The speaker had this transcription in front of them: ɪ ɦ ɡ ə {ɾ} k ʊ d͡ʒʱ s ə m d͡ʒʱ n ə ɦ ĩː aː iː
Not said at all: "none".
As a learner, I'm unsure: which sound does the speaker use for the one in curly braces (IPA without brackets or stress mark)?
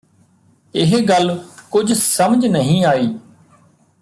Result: l